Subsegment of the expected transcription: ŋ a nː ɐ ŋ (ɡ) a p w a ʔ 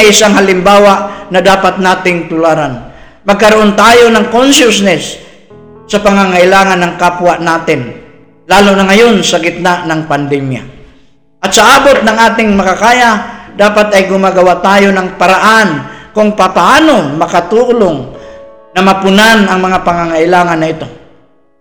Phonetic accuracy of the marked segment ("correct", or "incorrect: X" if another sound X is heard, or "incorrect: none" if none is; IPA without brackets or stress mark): incorrect: k